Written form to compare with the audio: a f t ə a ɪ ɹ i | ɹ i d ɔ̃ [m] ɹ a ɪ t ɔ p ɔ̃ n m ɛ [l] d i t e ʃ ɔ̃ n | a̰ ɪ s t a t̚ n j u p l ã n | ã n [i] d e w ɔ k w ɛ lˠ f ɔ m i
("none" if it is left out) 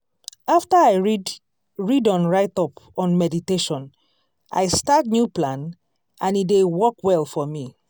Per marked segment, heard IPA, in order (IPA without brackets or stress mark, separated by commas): n, none, i